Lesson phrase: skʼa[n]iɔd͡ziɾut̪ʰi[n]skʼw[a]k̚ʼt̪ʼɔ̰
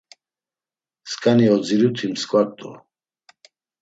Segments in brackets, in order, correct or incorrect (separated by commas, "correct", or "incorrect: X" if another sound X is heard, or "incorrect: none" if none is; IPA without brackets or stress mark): correct, incorrect: m, correct